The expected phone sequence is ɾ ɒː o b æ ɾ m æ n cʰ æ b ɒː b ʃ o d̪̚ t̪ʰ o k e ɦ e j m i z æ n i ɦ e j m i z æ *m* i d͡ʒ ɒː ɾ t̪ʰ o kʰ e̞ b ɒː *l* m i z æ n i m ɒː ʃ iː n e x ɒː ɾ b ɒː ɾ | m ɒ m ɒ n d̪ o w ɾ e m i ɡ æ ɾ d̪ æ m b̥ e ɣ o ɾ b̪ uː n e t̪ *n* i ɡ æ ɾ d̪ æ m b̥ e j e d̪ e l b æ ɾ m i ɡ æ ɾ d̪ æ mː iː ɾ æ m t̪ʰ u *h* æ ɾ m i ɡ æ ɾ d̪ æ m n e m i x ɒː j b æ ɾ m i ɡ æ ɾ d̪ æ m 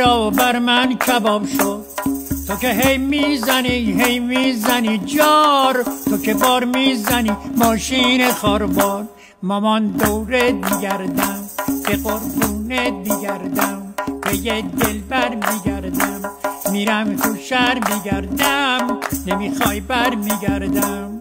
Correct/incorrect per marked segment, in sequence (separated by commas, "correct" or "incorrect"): incorrect, incorrect, incorrect, incorrect